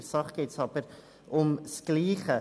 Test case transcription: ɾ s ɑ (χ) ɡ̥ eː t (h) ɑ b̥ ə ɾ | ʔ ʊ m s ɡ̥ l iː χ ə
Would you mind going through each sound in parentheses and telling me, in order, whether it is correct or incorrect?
correct, incorrect: s

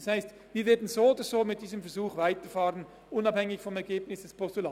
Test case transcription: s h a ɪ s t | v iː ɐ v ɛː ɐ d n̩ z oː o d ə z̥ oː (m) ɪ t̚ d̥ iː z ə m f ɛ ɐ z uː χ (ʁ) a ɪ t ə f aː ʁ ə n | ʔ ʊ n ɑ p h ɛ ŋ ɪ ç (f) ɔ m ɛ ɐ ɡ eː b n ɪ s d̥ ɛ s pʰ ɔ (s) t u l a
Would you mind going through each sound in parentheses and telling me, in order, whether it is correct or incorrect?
correct, incorrect: v, correct, correct

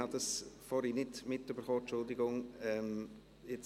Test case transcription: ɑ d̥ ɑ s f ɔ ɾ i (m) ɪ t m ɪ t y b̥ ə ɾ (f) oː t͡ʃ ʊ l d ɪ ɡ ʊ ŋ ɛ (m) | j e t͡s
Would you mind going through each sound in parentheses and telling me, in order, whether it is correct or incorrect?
incorrect: n, incorrect: χ, correct

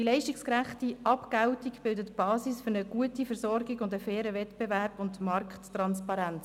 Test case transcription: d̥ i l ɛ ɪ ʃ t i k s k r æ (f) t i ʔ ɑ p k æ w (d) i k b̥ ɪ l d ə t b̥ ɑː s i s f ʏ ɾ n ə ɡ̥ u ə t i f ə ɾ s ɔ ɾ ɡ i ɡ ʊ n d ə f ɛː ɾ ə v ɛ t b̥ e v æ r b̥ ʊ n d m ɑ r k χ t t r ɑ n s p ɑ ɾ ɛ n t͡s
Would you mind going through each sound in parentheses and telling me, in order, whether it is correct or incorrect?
incorrect: χ, incorrect: t

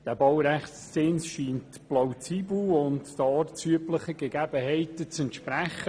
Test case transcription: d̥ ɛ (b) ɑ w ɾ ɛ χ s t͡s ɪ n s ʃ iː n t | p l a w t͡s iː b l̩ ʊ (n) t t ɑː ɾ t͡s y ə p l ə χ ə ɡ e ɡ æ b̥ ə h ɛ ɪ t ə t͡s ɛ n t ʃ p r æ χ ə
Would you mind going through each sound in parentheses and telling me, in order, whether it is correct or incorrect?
correct, correct

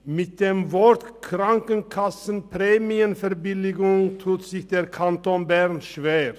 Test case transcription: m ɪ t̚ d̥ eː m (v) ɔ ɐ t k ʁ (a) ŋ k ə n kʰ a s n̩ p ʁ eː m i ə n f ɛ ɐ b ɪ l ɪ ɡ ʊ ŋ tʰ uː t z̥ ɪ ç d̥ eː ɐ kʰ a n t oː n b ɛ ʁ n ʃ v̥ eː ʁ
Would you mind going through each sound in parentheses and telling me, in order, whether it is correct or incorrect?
correct, correct

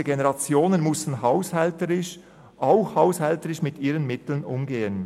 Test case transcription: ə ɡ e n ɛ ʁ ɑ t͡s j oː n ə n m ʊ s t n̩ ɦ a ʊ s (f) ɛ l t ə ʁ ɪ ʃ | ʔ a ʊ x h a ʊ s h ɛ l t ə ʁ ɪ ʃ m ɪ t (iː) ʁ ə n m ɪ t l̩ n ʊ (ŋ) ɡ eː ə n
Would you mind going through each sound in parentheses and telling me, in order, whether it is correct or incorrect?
incorrect: h, correct, incorrect: m

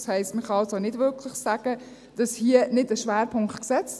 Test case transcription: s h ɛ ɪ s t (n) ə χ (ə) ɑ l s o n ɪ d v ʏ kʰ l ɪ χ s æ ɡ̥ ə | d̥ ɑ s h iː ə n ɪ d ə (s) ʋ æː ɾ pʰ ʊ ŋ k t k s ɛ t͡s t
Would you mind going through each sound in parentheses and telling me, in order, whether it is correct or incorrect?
incorrect: m, incorrect: ɑ, incorrect: ʃ

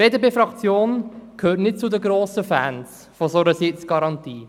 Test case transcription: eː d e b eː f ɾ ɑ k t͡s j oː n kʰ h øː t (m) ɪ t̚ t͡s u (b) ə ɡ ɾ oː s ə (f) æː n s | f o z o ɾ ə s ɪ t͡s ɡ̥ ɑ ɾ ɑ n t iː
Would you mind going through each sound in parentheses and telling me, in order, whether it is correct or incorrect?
incorrect: n, incorrect: d, correct

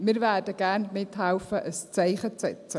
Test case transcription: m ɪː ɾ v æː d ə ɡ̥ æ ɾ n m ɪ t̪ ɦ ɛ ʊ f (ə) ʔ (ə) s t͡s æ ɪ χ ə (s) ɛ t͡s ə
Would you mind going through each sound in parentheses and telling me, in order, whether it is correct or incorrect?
correct, correct, incorrect: t͡s

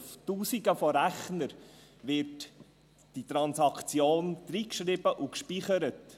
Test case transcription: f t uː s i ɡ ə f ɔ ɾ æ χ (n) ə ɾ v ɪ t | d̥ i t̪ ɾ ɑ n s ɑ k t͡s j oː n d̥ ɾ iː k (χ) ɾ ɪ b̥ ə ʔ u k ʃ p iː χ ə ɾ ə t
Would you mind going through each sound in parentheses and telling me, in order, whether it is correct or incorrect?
correct, incorrect: ʃ

